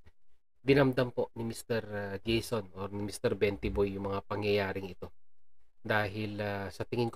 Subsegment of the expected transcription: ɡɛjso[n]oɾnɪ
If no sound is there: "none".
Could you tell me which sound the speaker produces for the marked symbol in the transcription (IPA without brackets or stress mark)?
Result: n